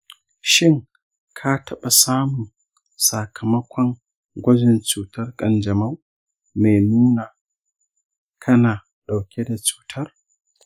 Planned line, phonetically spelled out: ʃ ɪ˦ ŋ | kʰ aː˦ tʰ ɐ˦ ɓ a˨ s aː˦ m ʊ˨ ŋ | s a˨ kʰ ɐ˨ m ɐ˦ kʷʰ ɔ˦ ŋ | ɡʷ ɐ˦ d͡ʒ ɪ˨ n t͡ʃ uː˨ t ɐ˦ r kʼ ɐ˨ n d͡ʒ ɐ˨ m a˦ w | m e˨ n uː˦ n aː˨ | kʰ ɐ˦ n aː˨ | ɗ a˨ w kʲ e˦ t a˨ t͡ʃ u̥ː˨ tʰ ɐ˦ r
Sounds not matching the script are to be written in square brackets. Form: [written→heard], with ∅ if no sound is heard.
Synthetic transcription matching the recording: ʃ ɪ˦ ŋ | kʰ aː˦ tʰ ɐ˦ ɓ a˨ s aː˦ m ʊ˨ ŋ | s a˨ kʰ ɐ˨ m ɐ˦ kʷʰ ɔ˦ ŋ | ɡʷ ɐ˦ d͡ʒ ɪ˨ n t͡ʃ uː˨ t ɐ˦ r kʼ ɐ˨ n d͡ʒ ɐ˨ m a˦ w | m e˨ n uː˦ n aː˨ | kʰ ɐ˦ n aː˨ | ɗ a˨ w kʲ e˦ [t→d] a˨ t͡ʃ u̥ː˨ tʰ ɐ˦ r